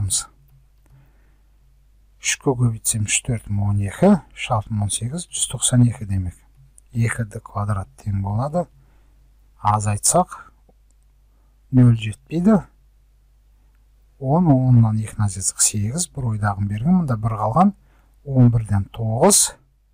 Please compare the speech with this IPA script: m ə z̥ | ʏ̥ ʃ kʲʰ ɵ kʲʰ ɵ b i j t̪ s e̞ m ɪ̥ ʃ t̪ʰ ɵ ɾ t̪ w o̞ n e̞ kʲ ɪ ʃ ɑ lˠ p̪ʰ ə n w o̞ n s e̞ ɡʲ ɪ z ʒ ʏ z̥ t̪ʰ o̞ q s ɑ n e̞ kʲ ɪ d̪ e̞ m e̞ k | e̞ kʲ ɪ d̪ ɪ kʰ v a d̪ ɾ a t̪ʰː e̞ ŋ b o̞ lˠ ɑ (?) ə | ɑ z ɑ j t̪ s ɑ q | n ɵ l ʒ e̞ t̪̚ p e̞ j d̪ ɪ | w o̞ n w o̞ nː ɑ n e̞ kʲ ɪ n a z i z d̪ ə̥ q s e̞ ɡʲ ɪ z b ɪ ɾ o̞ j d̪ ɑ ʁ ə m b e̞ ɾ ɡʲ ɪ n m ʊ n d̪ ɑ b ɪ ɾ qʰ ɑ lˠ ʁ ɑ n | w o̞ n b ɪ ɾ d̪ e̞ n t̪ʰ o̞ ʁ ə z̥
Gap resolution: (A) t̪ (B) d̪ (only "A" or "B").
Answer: B